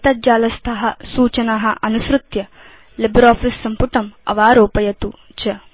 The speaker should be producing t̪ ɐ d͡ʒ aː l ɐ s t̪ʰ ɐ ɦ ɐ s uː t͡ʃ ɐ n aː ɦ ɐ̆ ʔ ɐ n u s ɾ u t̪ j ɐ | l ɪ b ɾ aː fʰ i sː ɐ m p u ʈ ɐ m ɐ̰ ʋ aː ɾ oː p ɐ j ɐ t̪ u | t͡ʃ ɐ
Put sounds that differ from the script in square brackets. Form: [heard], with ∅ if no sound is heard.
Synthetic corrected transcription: t̪ ɐ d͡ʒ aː l ɐ s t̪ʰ ɐ ɦ ɐ s uː t͡ʃ ɐ n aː ɦ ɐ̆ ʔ ɐ n u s ɾ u t̪ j ɐ | l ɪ b ɾ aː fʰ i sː ɐ m p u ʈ ɐ m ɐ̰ ʋ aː ɾ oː p ɐ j ɐ t̪ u | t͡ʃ ɐ